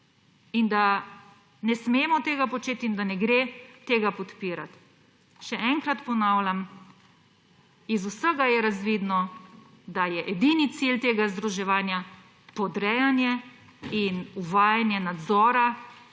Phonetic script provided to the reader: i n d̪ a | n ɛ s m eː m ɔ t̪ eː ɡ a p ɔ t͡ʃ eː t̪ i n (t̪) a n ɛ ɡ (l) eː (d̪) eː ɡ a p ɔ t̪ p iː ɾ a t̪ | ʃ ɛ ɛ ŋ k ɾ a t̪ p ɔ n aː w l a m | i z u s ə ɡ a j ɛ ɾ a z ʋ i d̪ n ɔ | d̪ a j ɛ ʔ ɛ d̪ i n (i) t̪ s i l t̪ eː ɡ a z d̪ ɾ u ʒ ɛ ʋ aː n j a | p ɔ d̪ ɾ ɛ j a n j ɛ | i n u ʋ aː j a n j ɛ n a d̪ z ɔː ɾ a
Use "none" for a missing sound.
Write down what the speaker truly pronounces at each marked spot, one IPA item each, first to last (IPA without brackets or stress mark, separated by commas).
d̪, ɾ, t̪, i